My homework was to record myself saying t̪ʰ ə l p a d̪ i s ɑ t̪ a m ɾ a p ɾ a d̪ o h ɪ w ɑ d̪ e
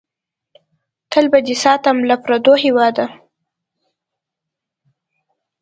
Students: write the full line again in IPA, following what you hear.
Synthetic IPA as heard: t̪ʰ ə l b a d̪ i s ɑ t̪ a m l a p ɾ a d̪ o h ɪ w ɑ d̪ a